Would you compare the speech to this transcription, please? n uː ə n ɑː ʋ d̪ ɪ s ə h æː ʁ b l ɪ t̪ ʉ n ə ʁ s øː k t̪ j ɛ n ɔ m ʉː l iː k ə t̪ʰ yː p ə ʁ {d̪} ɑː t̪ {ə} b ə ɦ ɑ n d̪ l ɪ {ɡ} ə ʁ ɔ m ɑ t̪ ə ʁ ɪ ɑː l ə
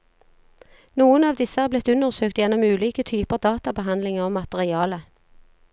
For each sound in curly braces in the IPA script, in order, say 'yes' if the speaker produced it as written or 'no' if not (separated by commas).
yes, no, no